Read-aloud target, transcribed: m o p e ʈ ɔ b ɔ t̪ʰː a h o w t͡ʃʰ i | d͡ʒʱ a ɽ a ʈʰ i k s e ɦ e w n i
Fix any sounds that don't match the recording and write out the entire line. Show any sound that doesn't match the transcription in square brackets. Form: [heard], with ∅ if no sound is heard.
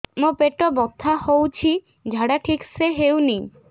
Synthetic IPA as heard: m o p e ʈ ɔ b ɔ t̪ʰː a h o w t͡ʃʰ i | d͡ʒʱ a ɽ a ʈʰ i k s e ɦ e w n i